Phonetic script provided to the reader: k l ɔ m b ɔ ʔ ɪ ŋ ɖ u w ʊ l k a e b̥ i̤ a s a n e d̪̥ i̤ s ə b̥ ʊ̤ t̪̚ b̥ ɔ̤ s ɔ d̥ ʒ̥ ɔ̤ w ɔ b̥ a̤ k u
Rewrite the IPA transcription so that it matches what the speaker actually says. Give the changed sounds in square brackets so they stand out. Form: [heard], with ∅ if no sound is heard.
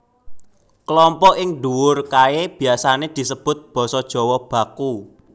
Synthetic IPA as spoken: k l ɔ m [p] ɔ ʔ ɪ ŋ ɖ u w ʊ [r] k a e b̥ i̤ a s a n e d̪̥ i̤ s ə b̥ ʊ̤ t̪̚ b̥ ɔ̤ s ɔ d̥ ʒ̥ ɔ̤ w ɔ b̥ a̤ k u